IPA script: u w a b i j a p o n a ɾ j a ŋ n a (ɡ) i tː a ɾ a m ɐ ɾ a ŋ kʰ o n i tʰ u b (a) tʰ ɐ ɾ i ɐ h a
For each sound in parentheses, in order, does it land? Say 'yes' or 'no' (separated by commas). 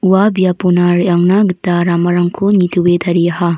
yes, no